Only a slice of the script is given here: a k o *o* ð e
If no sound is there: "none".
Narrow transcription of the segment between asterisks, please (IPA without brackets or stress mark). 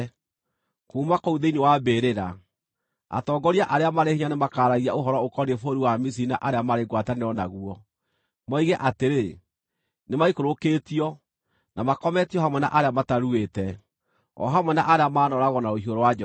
u